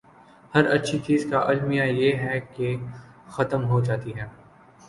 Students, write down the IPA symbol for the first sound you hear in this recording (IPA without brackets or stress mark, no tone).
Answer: h